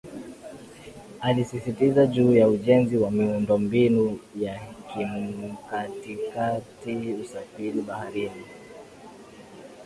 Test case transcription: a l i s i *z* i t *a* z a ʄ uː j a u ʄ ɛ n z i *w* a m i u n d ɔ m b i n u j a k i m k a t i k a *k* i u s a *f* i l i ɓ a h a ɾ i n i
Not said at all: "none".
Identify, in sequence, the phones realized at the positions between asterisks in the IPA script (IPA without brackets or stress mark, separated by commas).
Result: s, i, w, t, f